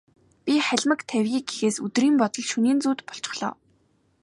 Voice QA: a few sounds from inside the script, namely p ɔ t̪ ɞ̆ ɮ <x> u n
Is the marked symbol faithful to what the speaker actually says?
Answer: no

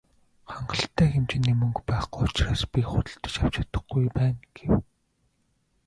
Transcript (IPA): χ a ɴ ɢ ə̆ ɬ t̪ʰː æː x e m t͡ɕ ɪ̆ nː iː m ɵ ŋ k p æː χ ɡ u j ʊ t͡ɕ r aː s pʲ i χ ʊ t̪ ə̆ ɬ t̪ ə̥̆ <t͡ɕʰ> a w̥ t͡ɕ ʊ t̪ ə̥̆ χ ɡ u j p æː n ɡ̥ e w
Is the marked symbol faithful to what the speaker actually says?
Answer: no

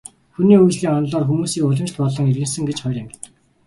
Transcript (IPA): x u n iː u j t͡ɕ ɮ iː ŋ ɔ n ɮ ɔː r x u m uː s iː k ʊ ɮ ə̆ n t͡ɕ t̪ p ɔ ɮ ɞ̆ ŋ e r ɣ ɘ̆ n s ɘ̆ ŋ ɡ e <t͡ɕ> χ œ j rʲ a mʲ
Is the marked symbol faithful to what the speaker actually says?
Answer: yes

